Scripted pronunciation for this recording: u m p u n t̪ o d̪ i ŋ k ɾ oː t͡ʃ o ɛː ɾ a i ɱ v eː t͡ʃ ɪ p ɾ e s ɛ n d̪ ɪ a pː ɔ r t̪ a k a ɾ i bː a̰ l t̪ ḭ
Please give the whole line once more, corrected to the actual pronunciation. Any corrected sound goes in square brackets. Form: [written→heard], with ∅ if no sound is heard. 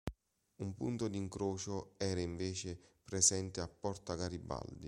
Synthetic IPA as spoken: u m p u n t̪ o d̪ i ŋ k ɾ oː t͡ʃ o ɛː ɾ a i ɱ v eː t͡ʃ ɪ p ɾ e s ɛ n [d̪→t̪] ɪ a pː ɔ r t̪ a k a ɾ i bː a̰ l [t̪→d̪] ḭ